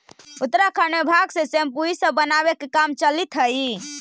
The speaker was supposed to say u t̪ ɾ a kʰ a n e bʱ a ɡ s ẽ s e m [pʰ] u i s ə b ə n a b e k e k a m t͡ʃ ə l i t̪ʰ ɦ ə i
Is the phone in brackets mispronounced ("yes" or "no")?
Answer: yes